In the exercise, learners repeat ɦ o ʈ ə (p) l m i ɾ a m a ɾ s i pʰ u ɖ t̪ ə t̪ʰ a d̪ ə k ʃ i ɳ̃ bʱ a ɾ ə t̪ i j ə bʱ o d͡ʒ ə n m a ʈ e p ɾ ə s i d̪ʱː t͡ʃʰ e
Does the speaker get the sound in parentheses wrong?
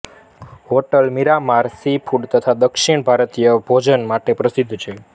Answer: yes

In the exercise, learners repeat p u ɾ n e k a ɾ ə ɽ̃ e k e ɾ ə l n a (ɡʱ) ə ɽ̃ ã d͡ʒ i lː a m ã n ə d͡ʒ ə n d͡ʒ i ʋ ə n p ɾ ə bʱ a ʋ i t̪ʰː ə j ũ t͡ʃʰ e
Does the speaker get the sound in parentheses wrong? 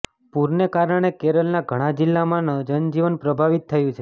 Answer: no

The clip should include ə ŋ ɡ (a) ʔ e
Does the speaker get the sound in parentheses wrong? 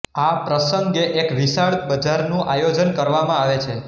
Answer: yes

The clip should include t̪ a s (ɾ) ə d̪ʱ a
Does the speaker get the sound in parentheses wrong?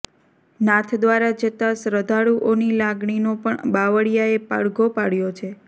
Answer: no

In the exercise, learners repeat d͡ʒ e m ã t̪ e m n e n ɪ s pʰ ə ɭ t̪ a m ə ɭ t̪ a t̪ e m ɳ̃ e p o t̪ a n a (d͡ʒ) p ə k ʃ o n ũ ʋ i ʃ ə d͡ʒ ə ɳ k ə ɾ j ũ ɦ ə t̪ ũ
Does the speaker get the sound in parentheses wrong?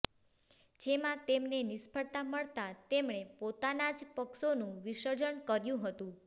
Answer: no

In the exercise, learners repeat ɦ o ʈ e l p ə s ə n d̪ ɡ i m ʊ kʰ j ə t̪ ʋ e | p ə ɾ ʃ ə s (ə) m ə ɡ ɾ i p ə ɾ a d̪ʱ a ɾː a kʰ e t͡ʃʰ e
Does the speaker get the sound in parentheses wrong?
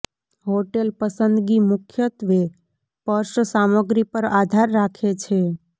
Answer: yes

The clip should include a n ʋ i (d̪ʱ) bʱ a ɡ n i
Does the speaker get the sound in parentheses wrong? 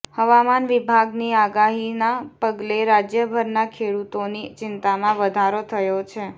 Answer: yes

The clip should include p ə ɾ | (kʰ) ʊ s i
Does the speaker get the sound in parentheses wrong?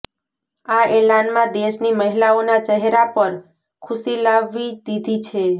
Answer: no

